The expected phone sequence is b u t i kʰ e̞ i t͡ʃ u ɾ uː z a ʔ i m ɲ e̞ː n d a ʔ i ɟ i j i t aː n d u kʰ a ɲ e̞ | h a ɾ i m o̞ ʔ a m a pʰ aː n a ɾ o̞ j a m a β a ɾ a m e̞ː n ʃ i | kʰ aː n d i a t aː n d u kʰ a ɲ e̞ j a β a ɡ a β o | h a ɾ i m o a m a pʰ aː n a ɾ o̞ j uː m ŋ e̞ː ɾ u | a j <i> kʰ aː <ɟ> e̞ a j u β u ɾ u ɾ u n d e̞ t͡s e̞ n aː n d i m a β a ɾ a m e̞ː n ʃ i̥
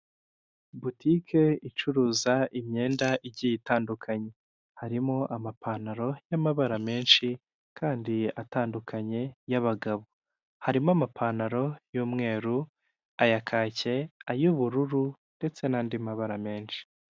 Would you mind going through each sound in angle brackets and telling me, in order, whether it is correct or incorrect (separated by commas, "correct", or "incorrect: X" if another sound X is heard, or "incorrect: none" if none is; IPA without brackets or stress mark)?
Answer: incorrect: a, incorrect: c